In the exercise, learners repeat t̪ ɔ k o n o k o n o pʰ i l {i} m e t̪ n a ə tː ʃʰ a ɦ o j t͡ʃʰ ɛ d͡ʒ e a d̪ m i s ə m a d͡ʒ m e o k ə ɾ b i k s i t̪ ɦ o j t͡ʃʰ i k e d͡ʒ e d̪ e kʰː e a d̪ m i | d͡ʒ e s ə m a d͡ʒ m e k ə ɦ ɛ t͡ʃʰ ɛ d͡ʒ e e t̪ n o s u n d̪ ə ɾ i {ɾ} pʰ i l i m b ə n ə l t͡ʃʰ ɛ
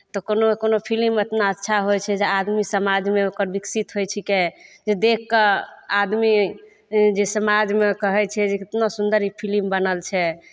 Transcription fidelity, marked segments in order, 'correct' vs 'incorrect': correct, incorrect: none

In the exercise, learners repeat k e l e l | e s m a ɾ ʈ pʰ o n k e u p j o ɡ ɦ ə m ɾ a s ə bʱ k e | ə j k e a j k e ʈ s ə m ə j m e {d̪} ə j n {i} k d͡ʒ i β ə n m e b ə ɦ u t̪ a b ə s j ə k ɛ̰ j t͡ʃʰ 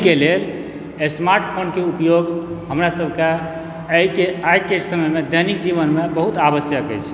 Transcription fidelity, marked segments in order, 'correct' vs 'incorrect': correct, correct

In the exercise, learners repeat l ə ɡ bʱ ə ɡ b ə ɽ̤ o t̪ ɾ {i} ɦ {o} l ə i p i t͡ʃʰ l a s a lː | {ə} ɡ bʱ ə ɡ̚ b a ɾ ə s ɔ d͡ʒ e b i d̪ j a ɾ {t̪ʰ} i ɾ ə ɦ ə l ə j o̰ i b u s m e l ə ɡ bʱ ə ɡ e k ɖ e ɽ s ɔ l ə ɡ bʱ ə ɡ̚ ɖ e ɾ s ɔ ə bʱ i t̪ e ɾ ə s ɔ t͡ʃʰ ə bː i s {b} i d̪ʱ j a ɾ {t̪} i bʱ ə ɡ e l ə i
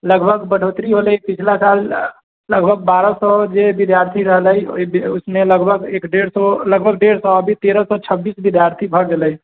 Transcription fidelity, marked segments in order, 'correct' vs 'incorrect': correct, correct, correct, correct, correct, incorrect: t̪ʰ

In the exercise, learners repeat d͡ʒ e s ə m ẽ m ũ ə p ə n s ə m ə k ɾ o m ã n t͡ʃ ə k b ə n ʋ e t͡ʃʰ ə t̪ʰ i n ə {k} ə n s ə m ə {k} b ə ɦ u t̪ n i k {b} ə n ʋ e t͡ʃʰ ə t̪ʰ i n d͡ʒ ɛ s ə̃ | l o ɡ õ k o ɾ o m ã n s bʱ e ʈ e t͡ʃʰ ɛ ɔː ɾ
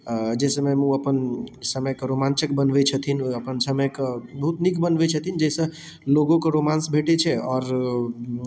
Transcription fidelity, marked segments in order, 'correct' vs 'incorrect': incorrect: p, correct, correct

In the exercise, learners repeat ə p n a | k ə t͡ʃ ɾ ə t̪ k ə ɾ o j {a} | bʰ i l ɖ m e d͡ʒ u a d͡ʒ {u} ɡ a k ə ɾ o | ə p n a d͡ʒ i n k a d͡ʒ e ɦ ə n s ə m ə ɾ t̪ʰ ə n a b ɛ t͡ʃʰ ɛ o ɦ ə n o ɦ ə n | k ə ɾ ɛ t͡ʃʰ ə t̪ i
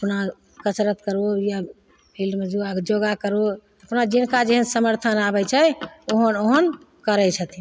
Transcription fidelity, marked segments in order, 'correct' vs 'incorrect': correct, incorrect: o

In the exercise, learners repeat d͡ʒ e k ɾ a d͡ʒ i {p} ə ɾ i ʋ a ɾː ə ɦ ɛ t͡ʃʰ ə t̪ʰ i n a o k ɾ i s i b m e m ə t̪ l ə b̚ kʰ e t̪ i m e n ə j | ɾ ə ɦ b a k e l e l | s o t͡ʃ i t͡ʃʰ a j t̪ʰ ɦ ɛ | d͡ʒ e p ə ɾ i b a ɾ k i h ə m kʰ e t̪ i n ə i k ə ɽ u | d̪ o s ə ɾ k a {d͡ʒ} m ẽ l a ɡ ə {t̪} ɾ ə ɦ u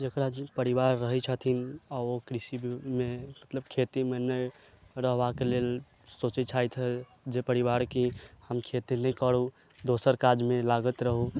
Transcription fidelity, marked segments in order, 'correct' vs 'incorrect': correct, correct, correct

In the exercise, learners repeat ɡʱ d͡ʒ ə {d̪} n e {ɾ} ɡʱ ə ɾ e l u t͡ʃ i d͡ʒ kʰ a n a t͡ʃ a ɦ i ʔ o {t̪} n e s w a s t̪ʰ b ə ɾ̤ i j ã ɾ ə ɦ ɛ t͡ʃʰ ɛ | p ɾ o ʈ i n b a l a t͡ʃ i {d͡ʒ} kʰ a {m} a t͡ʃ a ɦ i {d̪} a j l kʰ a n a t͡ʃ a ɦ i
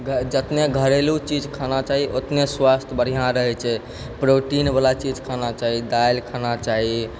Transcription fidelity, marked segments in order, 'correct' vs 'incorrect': incorrect: t̪, incorrect: none, correct, correct, incorrect: n, correct

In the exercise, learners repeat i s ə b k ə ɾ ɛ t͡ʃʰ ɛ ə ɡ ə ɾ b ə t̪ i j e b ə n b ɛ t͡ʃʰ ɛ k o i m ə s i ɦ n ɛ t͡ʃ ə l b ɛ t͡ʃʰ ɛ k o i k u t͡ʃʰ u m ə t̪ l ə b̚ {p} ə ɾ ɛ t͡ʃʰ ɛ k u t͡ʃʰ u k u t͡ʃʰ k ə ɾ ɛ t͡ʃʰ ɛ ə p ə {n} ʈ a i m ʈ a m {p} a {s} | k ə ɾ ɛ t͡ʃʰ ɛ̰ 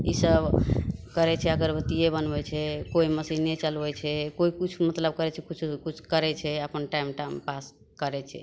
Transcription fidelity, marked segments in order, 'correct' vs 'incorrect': incorrect: k, correct, correct, correct

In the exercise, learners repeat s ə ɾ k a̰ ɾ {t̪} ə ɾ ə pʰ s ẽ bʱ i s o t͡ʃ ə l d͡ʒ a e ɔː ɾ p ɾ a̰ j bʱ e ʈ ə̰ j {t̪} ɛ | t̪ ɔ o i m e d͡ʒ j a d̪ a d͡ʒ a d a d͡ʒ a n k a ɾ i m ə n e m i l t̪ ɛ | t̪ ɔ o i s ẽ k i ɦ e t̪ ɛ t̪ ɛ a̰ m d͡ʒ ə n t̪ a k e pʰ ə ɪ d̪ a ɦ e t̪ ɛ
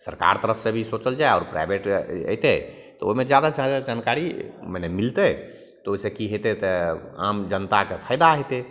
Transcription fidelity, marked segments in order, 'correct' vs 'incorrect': correct, correct

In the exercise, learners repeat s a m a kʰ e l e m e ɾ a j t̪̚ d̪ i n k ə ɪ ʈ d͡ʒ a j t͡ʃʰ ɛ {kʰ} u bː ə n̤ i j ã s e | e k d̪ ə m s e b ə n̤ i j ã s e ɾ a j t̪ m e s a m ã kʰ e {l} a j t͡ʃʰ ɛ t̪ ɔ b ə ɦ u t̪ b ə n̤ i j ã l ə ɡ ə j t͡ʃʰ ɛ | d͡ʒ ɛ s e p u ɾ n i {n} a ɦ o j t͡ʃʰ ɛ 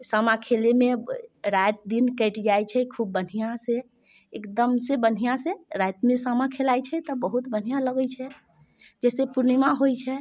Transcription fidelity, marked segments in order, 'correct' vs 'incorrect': correct, correct, incorrect: m

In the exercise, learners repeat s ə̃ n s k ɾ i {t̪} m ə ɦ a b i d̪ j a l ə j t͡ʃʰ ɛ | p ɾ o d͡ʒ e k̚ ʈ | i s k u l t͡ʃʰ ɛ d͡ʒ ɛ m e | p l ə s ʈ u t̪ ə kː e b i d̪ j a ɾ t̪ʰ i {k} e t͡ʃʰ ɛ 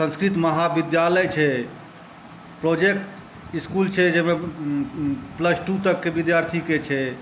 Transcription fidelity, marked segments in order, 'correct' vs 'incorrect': correct, correct

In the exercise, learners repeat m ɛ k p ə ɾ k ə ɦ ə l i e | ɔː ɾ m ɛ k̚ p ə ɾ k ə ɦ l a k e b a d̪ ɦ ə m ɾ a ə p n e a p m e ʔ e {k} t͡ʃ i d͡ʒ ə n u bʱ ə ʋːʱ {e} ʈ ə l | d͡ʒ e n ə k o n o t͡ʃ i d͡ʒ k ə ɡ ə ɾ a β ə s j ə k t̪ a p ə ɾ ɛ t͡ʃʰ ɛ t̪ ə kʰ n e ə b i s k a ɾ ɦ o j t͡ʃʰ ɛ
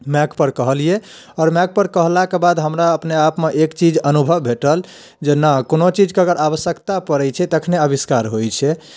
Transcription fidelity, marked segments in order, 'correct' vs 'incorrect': correct, correct

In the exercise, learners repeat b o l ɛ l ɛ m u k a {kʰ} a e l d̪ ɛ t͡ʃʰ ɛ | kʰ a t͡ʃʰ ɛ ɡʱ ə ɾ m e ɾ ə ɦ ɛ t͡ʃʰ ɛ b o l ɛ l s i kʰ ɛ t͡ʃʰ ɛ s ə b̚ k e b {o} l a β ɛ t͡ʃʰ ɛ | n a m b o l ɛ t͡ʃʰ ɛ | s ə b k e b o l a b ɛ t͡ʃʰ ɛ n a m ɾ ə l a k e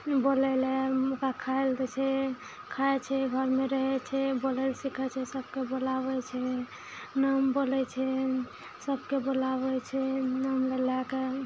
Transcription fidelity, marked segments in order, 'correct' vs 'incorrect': correct, correct

